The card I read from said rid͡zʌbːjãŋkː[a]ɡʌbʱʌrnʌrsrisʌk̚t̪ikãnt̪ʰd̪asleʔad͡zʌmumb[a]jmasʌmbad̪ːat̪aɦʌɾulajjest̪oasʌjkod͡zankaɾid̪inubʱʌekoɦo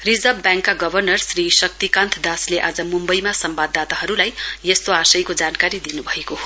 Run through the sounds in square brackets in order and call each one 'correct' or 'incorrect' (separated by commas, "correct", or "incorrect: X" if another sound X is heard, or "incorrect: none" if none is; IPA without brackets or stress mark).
correct, incorrect: ʌ